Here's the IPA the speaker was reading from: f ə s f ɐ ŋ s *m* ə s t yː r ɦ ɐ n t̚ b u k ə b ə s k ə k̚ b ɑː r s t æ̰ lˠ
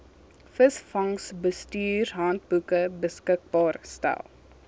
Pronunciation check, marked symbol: incorrect: b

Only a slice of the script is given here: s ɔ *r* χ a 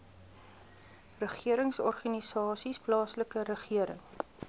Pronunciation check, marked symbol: correct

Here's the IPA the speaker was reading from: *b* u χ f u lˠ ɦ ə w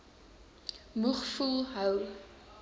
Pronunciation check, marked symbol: incorrect: m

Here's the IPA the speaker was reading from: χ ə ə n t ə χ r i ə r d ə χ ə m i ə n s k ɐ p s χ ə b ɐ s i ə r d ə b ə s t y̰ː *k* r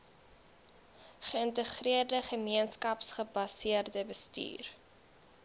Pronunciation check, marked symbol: incorrect: none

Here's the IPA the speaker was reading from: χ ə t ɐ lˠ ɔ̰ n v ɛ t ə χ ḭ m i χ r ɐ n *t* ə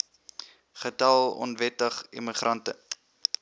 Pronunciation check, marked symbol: correct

